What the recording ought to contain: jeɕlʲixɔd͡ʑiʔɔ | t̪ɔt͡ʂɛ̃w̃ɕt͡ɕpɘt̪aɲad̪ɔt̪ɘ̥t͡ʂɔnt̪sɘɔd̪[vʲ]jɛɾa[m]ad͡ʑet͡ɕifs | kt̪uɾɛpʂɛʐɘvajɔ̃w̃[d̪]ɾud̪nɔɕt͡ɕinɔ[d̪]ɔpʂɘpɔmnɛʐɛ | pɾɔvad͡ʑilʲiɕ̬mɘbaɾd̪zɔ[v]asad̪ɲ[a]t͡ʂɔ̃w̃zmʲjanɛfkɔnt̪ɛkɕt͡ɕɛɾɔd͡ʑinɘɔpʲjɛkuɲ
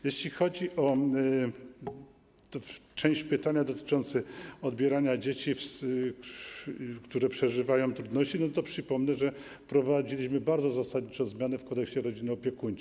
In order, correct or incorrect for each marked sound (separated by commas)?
incorrect, incorrect, incorrect, incorrect, incorrect, incorrect